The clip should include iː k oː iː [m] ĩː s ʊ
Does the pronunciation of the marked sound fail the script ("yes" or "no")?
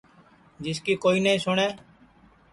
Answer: yes